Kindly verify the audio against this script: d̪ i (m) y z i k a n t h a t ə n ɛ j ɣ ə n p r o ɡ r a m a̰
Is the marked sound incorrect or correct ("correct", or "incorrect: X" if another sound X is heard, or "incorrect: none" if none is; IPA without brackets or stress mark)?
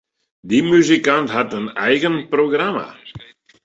correct